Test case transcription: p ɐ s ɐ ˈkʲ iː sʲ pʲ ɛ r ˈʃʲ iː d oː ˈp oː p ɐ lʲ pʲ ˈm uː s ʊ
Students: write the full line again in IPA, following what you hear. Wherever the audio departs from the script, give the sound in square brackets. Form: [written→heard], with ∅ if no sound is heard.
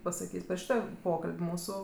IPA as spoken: p ɐ s ɐ ˈkʲ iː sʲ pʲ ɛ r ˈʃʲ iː [d→t] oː ˈp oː [p→k] ɐ lʲ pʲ ˈm uː s ʊ